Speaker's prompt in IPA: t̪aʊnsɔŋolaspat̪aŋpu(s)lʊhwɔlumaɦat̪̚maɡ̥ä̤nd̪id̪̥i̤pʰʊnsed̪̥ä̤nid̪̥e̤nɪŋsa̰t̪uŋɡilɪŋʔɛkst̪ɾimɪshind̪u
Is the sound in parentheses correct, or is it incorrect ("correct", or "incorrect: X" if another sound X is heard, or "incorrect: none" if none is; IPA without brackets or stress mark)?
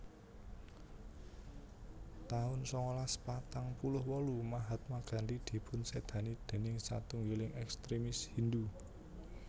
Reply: incorrect: none